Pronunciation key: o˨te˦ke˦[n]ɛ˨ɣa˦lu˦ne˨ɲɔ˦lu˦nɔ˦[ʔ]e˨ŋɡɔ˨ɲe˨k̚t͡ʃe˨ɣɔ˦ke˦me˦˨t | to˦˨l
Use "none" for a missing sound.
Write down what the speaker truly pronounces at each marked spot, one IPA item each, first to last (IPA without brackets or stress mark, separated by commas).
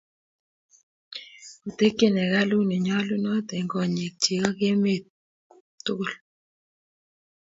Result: n, t